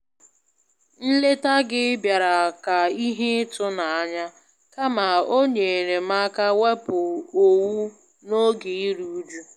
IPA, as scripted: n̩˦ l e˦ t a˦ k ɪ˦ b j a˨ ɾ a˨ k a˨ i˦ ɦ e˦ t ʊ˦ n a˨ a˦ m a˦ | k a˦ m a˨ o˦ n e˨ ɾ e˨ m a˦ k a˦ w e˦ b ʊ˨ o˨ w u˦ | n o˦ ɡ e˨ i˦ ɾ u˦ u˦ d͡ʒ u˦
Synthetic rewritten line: n̩˦ l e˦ t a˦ ɡ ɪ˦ b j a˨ ɾ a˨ k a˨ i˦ ɦ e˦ t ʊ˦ n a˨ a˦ ɲ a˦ | k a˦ m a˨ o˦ ɲ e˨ ɾ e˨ m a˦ k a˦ w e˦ p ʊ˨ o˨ w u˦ | n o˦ ɡ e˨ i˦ ɾ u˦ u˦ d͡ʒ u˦